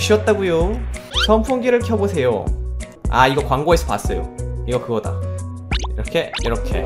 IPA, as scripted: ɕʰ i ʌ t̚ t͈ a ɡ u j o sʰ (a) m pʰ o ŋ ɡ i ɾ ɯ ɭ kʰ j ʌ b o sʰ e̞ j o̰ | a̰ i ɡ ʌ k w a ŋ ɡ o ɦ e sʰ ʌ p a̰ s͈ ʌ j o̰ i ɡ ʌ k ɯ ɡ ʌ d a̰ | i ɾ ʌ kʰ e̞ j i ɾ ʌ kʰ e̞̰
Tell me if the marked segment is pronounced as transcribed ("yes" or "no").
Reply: no